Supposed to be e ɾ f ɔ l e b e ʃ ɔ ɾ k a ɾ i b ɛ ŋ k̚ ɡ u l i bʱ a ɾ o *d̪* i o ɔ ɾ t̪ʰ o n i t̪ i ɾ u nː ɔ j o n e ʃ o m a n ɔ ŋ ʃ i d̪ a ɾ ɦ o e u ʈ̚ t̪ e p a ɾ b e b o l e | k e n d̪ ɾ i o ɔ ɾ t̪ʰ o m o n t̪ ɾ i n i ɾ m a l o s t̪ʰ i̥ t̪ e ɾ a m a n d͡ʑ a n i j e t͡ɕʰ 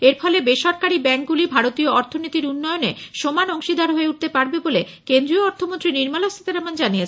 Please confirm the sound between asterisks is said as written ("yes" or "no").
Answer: no